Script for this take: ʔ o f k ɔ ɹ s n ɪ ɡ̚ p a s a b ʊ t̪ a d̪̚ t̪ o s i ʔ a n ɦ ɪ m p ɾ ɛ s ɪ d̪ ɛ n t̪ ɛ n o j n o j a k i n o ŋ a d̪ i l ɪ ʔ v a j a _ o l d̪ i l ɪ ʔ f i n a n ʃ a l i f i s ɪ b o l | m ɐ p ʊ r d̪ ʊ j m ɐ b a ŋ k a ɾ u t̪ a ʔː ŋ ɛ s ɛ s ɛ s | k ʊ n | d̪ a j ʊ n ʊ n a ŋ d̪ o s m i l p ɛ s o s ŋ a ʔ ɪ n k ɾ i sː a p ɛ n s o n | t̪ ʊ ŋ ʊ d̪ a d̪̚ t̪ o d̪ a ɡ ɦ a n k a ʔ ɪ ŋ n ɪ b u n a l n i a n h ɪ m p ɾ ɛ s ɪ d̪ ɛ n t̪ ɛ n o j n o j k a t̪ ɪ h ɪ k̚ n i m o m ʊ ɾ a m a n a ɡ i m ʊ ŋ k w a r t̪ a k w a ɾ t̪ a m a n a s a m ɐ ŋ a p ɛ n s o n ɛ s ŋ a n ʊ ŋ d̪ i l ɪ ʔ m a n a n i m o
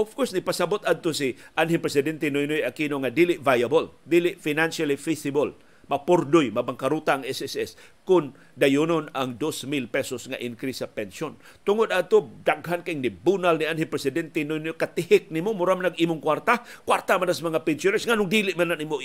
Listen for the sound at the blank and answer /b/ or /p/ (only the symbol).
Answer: b